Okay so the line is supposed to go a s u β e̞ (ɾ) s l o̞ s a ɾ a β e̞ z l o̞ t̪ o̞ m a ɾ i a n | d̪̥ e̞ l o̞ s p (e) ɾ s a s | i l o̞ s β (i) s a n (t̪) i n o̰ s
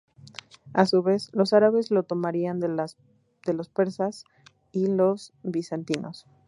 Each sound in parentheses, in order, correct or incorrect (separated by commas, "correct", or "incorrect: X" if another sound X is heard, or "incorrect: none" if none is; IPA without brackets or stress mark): incorrect: none, correct, correct, correct